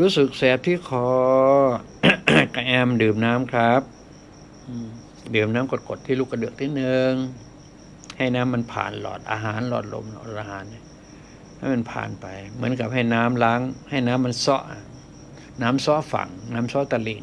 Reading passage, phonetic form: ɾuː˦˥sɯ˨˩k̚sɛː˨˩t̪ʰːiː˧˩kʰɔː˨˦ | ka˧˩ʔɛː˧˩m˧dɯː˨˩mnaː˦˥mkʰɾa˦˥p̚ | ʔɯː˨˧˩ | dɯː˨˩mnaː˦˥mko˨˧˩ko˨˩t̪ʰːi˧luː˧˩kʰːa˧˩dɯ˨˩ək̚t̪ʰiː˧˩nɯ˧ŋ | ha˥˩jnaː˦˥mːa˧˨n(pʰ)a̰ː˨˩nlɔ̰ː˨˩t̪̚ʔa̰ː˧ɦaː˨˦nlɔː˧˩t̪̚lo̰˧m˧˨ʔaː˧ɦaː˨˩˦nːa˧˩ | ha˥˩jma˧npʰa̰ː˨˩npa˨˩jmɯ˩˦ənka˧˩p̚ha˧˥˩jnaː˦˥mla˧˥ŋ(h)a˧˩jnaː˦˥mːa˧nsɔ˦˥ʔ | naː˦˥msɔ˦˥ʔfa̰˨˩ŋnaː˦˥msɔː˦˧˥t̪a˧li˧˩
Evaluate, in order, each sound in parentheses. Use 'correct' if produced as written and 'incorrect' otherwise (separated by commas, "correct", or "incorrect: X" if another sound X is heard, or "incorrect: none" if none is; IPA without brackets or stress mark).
correct, correct